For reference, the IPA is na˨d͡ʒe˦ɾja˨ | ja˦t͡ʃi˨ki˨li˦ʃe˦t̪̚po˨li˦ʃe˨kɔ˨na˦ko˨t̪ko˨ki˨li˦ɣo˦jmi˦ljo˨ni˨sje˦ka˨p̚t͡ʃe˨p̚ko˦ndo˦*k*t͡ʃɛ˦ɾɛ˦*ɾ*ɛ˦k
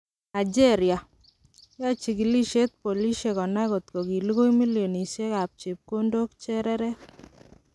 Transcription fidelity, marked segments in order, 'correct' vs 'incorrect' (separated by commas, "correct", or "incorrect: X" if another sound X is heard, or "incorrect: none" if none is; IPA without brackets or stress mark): correct, correct